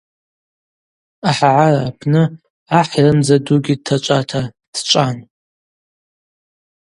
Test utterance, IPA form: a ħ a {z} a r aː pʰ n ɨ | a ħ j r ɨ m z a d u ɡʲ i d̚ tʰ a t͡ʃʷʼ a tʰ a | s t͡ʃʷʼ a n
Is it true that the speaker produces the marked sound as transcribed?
no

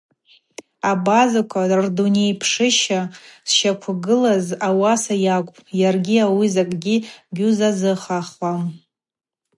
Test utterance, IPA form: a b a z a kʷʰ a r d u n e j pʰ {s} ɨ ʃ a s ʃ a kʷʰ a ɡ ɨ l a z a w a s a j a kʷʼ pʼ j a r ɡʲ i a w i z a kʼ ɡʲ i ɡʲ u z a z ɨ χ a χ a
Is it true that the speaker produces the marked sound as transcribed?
no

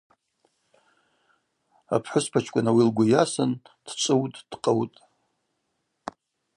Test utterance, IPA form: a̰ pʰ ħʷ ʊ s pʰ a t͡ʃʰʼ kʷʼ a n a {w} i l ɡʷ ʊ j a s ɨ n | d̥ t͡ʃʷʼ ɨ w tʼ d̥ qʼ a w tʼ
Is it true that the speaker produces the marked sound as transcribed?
yes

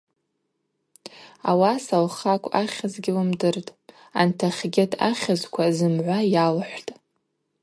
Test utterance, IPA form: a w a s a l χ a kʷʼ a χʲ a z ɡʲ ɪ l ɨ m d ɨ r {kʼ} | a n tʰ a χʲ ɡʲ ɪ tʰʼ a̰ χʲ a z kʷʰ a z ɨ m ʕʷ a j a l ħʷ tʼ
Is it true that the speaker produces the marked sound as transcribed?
no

